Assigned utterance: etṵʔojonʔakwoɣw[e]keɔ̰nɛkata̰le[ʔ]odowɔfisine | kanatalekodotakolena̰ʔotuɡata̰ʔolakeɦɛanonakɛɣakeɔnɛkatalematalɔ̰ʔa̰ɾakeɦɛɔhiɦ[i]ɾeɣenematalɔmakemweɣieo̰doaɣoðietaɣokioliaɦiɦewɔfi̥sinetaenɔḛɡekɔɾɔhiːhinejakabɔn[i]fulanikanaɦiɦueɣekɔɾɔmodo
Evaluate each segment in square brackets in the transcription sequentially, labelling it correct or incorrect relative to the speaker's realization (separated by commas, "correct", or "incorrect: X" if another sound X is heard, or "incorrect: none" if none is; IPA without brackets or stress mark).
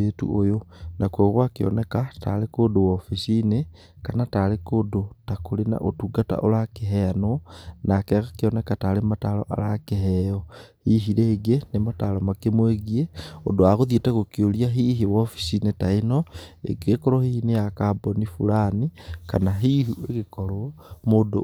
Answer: incorrect: a, incorrect: k, correct, correct